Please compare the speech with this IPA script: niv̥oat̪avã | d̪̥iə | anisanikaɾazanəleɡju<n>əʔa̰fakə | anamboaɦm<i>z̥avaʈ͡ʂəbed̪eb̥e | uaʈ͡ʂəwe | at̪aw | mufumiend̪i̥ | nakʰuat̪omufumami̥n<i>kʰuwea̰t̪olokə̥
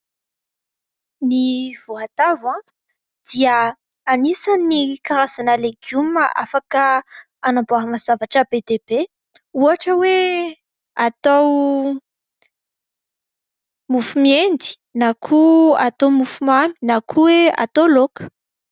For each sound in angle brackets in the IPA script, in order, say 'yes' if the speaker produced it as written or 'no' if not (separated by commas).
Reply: no, no, no